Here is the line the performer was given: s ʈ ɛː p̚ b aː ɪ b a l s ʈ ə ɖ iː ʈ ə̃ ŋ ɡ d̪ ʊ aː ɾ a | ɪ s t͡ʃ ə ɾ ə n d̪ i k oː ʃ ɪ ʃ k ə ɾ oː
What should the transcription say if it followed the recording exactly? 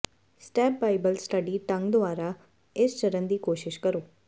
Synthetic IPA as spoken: s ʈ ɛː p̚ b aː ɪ b ə l s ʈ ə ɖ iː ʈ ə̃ ŋ ɡ d̪ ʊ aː ɾ a | ɪ s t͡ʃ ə ɾ ə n d̪ iː k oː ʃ ɪ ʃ k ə ɾ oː